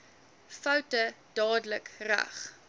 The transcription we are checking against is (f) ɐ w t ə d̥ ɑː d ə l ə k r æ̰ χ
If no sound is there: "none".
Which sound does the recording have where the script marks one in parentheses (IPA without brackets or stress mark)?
f